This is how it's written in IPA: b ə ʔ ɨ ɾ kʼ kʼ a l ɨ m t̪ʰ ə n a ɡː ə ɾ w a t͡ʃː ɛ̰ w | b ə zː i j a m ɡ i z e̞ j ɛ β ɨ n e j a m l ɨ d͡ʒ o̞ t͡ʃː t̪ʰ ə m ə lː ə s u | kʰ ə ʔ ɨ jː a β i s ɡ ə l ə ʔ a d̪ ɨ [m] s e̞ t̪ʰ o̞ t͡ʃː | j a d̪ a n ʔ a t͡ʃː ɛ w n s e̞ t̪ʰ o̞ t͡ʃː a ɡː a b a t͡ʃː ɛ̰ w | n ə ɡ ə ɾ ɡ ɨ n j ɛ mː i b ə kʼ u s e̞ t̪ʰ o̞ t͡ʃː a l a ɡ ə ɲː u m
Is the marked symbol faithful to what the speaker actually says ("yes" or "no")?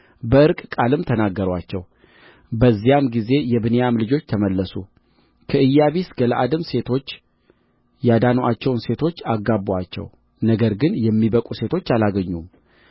yes